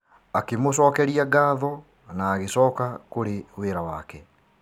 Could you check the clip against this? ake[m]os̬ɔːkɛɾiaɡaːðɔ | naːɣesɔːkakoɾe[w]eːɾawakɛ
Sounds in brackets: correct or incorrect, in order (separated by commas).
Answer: correct, correct